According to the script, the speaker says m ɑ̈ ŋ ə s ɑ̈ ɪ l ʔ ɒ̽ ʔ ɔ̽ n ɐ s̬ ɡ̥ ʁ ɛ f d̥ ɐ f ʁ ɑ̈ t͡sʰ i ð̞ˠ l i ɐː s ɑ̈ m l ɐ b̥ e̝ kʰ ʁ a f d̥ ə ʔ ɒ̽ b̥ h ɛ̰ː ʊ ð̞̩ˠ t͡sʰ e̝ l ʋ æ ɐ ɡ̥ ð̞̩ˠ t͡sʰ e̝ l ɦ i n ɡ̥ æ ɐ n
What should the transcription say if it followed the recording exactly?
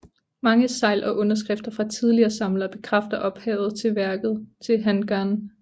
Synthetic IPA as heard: m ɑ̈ ŋ ə s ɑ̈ ɪ l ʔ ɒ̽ ʔ ɔ̽ n ɐ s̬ ɡ̥ ʁ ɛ f d̥ ɐ f ʁ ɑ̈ t͡sʰ i ð̞ˠ l i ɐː s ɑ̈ m l ɐ b̥ e̝ kʰ ʁ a f d̥ ɐ ʔ ɒ̽ b̥ h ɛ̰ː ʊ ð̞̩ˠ t͡sʰ e̝ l ʋ æ ɐ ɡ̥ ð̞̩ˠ t͡sʰ e̝ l ɦ æ n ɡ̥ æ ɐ n